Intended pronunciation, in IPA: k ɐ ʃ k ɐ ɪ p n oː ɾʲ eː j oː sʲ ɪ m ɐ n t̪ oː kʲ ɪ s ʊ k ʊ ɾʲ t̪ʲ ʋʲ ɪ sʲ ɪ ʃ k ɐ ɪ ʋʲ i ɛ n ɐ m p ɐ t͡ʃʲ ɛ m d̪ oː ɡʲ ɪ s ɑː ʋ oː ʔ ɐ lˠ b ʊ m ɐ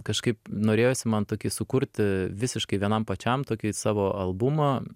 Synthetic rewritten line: k ɐ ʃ k ɐ ɪ p n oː ɾʲ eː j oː sʲ ɪ m ɐ n t̪ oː kʲ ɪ s ʊ k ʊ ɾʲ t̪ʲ ʋʲ ɪ sʲ ɪ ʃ k ɐ ɪ ʋʲ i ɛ n ɐ m p ɐ t͡ʃʲ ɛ m t̪ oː kʲ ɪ s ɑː ʋ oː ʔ ɐ lˠ b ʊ m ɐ